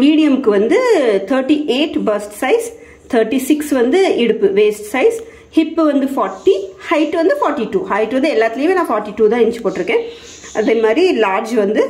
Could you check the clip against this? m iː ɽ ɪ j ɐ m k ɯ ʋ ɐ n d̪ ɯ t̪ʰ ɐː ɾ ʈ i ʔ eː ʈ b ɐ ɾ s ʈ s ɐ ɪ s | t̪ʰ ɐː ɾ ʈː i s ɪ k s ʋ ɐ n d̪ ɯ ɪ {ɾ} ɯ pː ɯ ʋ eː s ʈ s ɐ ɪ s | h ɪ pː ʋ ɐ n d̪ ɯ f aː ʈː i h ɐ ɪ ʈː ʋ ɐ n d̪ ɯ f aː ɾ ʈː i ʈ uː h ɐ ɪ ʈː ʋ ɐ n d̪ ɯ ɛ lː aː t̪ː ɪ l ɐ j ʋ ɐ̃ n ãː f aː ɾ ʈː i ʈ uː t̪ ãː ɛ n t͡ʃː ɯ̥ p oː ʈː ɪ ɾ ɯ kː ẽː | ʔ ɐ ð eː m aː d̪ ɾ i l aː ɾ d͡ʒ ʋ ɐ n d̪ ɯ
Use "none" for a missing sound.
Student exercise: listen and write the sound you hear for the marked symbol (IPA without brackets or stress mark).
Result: ɽ